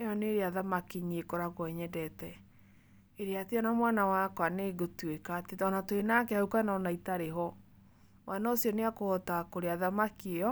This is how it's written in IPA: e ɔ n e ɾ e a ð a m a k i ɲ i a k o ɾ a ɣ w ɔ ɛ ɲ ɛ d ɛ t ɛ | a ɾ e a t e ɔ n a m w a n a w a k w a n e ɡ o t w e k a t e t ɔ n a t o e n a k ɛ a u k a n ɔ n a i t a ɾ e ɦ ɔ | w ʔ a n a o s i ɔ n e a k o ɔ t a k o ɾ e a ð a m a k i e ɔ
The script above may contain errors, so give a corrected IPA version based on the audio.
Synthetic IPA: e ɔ n e ɾ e a ð a m a k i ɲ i e k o ɾ a ɣ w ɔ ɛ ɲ ɛ d ɛ t ɛ | e ɾ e a t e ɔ n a m w a n a w a k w a n e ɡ o t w e k a t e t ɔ n a t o e n a k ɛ a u k a n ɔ n a i t a ɾ e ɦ ɔ | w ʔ a n a o s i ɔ n e a k o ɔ t a k o ɾ e a ð a m a k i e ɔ